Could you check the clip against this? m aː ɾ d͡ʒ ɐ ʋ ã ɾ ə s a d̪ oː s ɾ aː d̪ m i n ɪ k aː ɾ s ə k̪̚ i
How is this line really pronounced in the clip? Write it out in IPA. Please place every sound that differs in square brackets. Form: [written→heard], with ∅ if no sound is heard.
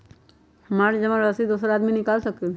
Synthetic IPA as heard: m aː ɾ d͡ʒ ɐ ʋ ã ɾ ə s [a→i] d̪ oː s ɾ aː d̪ m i n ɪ k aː [ɾ→l] s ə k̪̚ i